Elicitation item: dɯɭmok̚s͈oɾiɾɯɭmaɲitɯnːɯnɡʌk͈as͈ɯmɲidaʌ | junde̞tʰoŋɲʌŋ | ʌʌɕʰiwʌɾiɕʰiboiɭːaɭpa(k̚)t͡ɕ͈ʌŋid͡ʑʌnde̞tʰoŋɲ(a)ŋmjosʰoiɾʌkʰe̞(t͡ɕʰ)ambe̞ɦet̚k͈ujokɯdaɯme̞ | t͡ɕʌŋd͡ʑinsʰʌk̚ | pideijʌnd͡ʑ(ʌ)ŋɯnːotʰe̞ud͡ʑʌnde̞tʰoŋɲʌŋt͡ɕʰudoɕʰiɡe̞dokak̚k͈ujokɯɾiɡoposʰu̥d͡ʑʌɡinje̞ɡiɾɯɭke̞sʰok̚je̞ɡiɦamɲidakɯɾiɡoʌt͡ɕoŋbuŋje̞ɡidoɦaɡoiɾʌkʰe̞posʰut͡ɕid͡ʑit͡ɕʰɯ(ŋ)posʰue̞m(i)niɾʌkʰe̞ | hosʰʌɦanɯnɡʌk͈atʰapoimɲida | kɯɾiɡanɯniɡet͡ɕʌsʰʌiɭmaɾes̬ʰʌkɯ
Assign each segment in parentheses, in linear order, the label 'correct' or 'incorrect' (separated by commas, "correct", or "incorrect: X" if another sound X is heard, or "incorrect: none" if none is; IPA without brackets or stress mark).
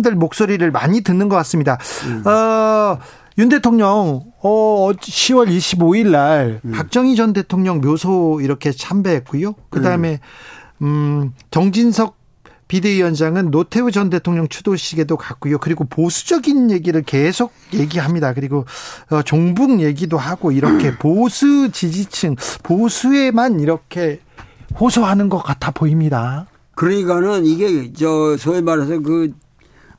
correct, incorrect: ʌ, correct, incorrect: a, correct, incorrect: a